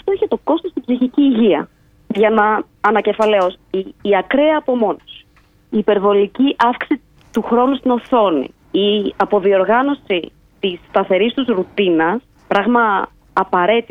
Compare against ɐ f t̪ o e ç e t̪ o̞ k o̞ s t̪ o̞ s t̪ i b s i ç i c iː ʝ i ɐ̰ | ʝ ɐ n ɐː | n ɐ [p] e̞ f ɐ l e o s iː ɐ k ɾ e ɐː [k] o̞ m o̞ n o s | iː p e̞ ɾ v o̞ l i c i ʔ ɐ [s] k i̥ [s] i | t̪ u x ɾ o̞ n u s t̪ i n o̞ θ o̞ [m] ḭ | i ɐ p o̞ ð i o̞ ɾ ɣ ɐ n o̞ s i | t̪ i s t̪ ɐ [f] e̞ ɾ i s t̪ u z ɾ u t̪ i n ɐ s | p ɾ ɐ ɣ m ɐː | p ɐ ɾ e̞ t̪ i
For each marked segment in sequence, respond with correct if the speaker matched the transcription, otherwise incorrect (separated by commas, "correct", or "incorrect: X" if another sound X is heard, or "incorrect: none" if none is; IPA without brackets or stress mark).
incorrect: c, incorrect: p, incorrect: f, correct, incorrect: n, incorrect: θ